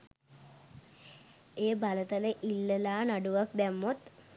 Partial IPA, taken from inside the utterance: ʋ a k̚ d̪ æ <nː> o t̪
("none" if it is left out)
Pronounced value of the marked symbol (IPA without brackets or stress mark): mː